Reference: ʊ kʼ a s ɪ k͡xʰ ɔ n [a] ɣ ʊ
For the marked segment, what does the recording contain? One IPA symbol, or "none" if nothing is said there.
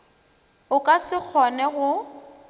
ɛ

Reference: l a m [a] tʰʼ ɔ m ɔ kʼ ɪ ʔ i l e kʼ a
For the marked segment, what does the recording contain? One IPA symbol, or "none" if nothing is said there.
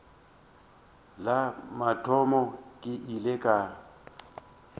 a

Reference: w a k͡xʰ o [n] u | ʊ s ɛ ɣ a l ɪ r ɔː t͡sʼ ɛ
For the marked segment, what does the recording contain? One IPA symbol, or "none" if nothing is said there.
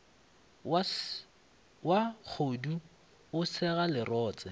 d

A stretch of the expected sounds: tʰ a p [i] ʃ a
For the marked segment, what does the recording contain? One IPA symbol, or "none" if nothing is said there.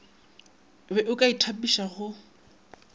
i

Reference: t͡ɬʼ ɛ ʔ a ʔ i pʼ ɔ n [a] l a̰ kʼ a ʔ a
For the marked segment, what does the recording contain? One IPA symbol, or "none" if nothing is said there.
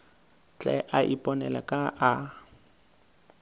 ɛ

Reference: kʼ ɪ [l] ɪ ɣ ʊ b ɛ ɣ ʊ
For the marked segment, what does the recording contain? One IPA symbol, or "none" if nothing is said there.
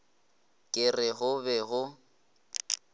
r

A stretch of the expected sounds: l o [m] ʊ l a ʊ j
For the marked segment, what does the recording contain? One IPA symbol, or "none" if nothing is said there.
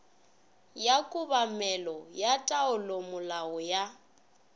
m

